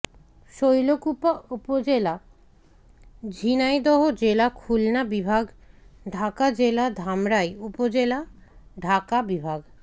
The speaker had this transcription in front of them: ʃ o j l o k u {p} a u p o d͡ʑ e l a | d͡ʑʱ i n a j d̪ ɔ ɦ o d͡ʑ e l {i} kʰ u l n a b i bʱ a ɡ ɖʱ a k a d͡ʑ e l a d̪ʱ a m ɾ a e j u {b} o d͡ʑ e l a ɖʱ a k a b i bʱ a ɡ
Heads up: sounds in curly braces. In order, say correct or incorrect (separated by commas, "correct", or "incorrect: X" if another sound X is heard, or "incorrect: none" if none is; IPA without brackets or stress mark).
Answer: correct, incorrect: a, incorrect: p